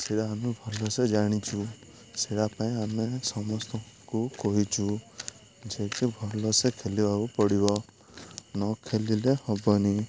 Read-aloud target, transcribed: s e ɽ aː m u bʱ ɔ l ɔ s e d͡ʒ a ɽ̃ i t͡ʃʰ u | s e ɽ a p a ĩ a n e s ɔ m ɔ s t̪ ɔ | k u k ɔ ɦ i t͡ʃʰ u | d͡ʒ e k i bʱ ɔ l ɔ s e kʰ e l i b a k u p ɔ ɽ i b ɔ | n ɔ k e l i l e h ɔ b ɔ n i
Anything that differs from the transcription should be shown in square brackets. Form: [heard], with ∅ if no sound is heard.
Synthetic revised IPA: s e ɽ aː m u bʱ ɔ l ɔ s e d͡ʒ a ɽ̃ i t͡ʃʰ u | s e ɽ a p a ĩ a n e s ɔ m ɔ s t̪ ɔ | k u k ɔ ɦ i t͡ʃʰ u | d͡ʒ e k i bʱ ɔ l ɔ s e kʰ e l i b a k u p ɔ ɽ i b ɔ | n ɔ [kʰ] e l i l e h ɔ b ɔ n i